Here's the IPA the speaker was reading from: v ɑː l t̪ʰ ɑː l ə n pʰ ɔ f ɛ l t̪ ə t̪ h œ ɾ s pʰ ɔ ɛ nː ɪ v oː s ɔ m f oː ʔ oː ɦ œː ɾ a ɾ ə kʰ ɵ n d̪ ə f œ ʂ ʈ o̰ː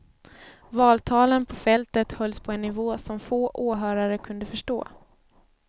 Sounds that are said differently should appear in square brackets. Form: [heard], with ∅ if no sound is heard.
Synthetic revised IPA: v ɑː l t̪ʰ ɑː l ə n pʰ ɔ f ɛ l t̪ ə t̪ h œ [l] s pʰ ɔ ɛ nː ɪ v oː s ɔ m f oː ʔ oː ɦ œː ɾ a ɾ ə kʰ ɵ n d̪ ə f œ ʂ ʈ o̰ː